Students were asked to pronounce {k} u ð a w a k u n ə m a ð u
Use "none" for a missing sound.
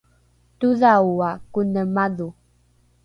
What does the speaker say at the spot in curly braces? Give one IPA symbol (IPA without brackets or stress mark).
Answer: t